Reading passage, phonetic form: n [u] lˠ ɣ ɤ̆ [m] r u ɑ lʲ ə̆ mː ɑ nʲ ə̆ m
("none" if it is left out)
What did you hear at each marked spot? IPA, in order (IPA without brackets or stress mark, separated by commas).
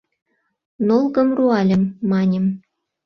o, m